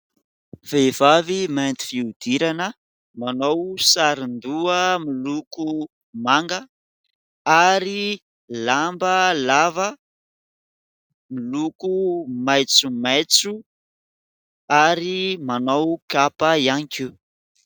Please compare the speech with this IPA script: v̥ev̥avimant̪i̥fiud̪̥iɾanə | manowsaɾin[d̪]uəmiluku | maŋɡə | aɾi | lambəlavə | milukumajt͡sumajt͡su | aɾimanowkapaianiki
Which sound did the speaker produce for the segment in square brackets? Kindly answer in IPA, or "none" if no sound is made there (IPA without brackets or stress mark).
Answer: d̪